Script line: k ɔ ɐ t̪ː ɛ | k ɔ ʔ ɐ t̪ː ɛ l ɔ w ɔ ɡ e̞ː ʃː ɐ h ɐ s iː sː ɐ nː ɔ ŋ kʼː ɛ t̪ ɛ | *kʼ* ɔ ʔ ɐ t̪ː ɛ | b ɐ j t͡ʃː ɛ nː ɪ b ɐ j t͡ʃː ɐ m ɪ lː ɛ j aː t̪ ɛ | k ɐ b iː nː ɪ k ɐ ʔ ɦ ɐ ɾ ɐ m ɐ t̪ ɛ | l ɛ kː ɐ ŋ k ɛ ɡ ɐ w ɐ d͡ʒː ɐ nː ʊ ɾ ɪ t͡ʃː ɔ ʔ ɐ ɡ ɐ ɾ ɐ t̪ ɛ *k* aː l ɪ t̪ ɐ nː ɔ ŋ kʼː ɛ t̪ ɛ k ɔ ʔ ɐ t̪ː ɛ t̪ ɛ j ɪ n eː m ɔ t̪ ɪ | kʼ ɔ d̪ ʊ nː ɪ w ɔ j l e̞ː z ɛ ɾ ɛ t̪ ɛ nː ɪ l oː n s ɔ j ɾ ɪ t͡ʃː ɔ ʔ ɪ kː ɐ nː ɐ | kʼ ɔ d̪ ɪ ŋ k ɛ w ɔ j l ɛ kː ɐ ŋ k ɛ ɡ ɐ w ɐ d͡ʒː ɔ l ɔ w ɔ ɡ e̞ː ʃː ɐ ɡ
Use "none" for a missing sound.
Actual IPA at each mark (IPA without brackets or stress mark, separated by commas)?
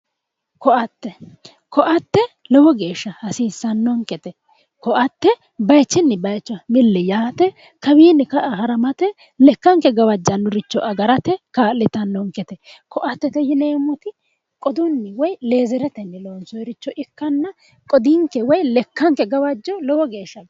k, k